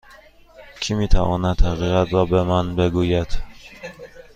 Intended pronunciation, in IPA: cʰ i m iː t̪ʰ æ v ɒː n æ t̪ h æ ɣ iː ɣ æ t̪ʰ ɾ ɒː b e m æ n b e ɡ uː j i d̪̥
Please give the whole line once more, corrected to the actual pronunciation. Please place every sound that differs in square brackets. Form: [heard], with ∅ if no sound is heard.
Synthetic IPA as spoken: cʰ i m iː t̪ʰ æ v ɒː n æ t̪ h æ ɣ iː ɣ æ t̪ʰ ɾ ɒː b e m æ n b e ɡ uː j [æ] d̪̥